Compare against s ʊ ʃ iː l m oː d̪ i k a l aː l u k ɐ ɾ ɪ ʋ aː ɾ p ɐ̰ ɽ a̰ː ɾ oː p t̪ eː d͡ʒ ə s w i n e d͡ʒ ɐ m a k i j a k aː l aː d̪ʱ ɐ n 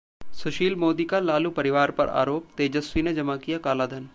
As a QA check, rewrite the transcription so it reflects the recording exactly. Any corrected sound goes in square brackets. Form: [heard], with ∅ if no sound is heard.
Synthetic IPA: s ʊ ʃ iː l m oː d̪ i k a l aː l u [p] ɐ ɾ ɪ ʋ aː ɾ p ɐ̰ [ɾ] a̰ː ɾ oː p t̪ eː d͡ʒ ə s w i n e d͡ʒ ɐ m a k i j a k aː l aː d̪ʱ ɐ n